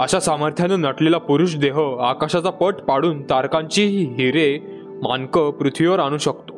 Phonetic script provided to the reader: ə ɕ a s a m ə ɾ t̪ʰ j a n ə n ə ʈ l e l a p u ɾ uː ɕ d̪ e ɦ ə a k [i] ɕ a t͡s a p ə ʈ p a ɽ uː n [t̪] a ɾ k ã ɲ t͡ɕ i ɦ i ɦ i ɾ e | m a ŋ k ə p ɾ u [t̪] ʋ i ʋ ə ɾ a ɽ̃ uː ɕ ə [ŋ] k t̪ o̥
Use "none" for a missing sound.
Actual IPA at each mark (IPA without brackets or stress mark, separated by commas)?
a, t̪, t̪ʰ, none